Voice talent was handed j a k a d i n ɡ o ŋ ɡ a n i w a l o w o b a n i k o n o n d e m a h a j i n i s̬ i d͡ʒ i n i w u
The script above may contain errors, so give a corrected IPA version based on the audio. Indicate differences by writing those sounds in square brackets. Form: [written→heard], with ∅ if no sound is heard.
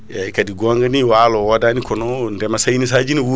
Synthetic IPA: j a k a d i [n→∅] ɡ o ŋ ɡ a n i w a l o w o [b→d] a n i k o n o n d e m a [h→s] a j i n i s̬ [i→a] d͡ʒ i n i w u